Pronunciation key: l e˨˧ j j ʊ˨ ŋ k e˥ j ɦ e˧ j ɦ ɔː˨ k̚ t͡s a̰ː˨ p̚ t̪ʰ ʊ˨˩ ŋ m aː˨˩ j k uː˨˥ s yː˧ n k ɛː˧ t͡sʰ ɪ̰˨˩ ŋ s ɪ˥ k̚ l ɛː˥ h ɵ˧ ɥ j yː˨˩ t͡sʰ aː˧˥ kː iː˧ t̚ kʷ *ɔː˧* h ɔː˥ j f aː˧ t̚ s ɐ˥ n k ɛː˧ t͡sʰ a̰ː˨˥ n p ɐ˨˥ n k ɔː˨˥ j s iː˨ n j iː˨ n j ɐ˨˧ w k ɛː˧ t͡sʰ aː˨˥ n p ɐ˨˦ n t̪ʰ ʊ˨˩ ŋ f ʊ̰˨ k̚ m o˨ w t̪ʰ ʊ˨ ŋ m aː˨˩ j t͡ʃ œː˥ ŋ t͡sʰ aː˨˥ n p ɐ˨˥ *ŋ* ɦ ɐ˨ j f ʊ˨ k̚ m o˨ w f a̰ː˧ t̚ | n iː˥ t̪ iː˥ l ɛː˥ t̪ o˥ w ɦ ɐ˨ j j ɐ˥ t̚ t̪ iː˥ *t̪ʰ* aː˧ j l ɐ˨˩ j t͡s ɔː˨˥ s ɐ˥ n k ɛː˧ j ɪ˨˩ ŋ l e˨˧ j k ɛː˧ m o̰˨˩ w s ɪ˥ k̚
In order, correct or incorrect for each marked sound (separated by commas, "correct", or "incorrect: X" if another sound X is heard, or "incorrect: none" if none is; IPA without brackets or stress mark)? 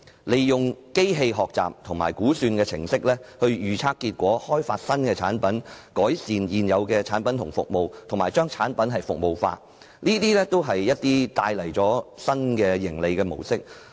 incorrect: ɔː˨˥, incorrect: n, incorrect: t̪